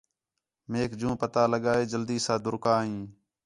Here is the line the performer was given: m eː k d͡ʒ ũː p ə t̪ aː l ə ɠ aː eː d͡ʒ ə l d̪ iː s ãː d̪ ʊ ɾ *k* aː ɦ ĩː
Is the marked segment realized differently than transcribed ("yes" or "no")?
no